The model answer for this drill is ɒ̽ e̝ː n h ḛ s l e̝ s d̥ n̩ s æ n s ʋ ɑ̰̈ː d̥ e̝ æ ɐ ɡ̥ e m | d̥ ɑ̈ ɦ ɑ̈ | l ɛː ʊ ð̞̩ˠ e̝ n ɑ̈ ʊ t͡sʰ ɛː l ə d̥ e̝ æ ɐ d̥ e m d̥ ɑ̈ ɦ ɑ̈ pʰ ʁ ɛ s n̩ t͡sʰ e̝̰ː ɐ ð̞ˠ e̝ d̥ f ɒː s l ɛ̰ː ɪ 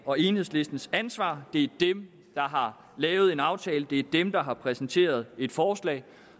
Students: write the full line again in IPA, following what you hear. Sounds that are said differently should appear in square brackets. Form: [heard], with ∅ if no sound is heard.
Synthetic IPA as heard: ɒ̽ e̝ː n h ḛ s l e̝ s d̥ n̩ s æ n s ʋ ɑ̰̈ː d̥ e̝ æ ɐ [d̥] e m | d̥ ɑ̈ ɦ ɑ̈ | l ɛː ʊ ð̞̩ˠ e̝ n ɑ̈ ʊ t͡sʰ ɛː l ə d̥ e̝ æ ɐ d̥ e m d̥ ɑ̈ ɦ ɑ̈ pʰ ʁ ɛ s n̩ t͡sʰ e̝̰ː ɐ ð̞ˠ e̝ d̥ f ɒː s l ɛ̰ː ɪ

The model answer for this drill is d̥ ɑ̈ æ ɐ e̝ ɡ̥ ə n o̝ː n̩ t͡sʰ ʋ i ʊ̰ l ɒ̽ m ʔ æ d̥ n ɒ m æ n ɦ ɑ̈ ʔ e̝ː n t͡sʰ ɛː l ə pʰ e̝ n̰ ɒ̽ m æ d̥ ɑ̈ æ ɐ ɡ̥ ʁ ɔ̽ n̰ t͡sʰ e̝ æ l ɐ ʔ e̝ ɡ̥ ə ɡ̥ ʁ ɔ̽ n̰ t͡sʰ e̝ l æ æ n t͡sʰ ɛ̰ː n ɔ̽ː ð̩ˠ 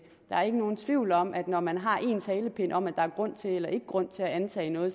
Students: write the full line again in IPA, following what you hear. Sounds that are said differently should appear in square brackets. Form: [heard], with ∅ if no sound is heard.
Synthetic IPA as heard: d̥ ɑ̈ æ ɐ e̝ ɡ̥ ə n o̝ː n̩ t͡sʰ ʋ i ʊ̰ l ɒ̽ m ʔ æ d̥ n ɒ m æ n ɦ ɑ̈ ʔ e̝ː n t͡sʰ ɛː l ə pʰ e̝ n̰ ɒ̽ m æ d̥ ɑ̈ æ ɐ ɡ̥ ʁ ɔ̽ n̰ t͡sʰ e̝ [e] l ɐ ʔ e̝ ɡ̥ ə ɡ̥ ʁ ɔ̽ n̰ t͡sʰ e̝ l æ æ n t͡sʰ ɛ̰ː n ɔ̽ː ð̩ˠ

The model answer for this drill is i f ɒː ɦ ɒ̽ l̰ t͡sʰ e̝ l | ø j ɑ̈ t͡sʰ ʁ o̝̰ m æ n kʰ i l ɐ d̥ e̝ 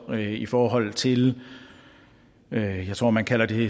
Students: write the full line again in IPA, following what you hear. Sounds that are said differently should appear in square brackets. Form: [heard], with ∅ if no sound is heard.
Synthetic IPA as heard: i f ɒː ɦ ɒ̽ l̰ t͡sʰ e̝ l | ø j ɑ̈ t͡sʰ ʁ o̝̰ m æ n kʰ [æ] l ɐ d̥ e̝

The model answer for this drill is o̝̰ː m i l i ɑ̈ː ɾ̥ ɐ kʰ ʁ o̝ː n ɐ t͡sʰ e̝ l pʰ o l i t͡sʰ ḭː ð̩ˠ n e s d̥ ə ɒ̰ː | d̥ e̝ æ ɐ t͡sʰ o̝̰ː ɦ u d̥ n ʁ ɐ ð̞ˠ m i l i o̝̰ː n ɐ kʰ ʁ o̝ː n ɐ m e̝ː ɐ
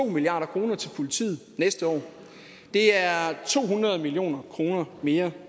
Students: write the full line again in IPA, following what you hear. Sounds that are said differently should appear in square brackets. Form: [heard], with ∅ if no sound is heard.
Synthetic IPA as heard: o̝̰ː m i l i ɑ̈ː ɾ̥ ɐ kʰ ʁ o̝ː n ɐ t͡sʰ e̝ l pʰ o l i t͡sʰ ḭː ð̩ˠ n e s d̥ ə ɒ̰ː | d̥ e̝ æ ɐ t͡sʰ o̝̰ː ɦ u [∅] n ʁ ɐ ð̞ˠ m i l i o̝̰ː n ɐ kʰ ʁ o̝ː n ɐ m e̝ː ɐ

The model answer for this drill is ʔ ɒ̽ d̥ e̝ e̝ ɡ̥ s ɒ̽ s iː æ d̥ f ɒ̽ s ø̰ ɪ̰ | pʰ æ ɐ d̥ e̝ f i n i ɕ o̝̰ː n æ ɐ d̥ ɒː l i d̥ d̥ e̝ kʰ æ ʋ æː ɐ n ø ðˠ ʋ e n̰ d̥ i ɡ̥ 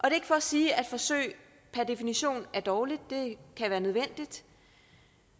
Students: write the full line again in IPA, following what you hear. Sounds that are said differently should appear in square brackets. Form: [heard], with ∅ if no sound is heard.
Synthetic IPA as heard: ʔ ɒ̽ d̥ e̝ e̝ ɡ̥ [f] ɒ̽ s iː æ d̥ f ɒ̽ s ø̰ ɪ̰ | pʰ æ ɐ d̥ e̝ f i n i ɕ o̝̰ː n æ ɐ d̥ ɒː l i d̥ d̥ e̝ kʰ æ ʋ æː ɐ n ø ðˠ ʋ e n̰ d̥ i [d̥]

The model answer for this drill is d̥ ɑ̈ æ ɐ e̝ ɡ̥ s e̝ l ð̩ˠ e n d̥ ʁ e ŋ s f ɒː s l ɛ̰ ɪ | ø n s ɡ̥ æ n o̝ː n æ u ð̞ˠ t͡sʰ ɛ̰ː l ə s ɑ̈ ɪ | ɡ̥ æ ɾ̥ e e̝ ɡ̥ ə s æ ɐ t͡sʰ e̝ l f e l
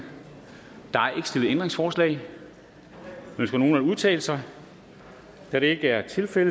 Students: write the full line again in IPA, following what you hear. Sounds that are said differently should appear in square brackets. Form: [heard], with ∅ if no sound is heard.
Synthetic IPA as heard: d̥ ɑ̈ æ ɐ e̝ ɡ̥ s e̝ l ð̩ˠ e n d̥ ʁ e ŋ s f ɒː s l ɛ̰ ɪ | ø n s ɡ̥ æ n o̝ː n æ u ð̞ˠ t͡sʰ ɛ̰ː l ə s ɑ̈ ɪ | [d̥] æ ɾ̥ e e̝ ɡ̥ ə [∅] æ ɐ t͡sʰ e̝ l f e l

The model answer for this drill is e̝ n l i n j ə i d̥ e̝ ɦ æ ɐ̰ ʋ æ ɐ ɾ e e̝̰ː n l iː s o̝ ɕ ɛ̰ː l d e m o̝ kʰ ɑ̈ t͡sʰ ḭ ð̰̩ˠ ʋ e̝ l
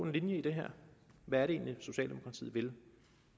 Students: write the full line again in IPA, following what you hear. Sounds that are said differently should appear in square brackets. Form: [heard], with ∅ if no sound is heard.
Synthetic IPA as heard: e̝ n l i n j ə i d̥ e̝ ɦ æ ɐ̰ ʋ æ ɐ ɾ e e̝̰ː n l [i] s o̝ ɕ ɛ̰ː l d e m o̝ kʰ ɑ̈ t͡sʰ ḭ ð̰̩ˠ ʋ e̝ l

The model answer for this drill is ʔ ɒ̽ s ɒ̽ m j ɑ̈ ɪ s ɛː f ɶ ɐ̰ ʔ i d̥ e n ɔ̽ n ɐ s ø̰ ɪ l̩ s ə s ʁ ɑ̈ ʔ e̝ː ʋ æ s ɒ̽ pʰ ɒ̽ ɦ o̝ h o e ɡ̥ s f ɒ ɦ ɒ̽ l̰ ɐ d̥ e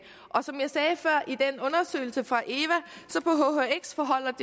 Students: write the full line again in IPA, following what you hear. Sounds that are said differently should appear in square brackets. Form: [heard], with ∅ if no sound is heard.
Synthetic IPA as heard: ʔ ɒ̽ s ɒ̽ m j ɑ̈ ɪ s ɛː f ɶ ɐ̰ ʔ i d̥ e n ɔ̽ n ɐ s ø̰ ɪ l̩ s ə [f] ʁ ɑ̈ ʔ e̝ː ʋ æ s ɒ̽ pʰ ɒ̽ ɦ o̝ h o e ɡ̥ s f ɒ ɦ ɒ̽ l̰ ɐ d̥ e

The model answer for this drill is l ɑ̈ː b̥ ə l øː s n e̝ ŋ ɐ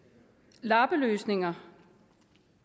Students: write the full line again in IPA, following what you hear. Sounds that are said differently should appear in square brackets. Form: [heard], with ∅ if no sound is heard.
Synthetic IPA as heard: l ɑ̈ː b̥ ə l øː s n e̝ ŋ ɐ

